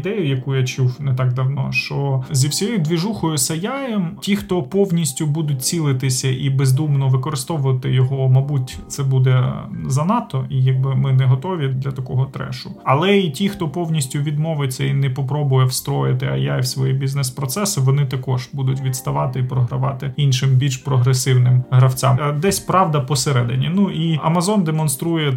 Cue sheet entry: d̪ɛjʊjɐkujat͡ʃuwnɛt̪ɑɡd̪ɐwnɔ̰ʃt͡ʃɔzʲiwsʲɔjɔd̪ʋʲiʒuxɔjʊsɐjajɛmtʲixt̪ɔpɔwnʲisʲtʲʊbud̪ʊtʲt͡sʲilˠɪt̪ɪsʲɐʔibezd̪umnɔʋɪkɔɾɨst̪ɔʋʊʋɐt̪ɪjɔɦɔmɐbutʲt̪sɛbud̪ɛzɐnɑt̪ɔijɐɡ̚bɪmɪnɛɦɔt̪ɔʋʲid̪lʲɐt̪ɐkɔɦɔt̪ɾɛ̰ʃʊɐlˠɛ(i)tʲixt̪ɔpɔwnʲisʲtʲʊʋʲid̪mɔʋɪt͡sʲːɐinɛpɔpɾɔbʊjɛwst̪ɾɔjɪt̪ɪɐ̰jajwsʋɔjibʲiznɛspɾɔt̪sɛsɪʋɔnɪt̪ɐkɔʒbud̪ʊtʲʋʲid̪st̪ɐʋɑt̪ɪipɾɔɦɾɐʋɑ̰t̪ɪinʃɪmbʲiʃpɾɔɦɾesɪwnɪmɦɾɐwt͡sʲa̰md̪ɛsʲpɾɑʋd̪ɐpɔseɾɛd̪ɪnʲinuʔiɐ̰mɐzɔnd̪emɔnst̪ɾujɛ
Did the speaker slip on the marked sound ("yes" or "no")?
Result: no